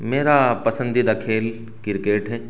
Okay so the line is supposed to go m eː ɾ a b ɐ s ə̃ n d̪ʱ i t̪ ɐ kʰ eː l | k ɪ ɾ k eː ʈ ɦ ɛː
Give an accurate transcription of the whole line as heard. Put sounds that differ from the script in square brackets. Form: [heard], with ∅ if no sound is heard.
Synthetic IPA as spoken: m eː ɾ a [p] ɐ s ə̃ n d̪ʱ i [d̪] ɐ kʰ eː l | k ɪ ɾ k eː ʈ ɦ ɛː